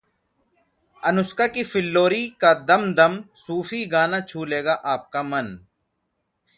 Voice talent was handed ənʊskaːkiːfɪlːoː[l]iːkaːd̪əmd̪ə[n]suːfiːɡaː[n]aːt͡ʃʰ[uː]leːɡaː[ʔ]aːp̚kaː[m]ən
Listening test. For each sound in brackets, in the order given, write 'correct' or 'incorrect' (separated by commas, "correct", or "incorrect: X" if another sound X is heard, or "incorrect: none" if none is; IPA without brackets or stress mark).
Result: incorrect: ɾ, incorrect: m, correct, correct, correct, correct